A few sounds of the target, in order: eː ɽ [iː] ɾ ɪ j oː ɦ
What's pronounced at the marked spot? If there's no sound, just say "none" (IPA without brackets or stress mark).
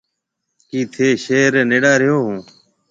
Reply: aː